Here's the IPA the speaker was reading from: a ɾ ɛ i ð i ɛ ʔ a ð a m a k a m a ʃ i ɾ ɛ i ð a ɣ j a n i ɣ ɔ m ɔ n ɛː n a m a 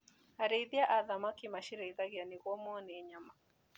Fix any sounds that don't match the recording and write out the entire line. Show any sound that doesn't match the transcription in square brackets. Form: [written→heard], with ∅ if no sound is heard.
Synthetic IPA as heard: a ɾ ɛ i ð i [ɛ→a] ʔ a ð a m a k [a→i] m a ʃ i ɾ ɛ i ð a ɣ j a n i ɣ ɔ m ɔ n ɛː [n→ɲ] a m a